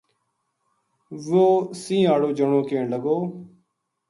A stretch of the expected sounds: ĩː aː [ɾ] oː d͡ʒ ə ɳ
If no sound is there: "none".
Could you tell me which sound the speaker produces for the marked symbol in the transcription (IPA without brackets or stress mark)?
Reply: ɽ